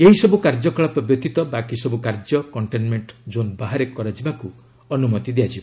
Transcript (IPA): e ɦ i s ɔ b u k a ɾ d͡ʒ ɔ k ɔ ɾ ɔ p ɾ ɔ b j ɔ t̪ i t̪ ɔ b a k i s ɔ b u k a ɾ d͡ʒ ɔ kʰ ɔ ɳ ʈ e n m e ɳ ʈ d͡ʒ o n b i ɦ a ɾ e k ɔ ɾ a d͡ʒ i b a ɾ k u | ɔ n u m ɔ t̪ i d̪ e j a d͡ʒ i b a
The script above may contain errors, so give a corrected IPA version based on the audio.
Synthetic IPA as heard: e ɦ i s ɔ b u k a ɾ d͡ʒ ɔ k ɔ ɭ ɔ p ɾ ɔ b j ɔ t̪ i t̪ ɔ b a k i s ɔ b u k a ɾ d͡ʒ ɔ k ɔ ɳ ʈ e n m e ɳ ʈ d͡ʒ o n b a ɦ a ɾ e k ɔ ɾ a d͡ʒ i b a k u | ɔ n u m ɔ t̪ i d̪ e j a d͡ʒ i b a